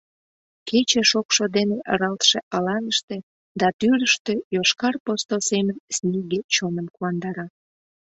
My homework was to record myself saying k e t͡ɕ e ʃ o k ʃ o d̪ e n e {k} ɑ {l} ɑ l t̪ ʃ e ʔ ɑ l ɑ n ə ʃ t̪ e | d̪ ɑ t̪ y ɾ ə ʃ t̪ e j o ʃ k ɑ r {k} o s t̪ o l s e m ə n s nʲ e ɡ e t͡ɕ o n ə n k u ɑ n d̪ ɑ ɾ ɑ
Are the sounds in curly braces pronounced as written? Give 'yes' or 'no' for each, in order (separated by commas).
no, no, no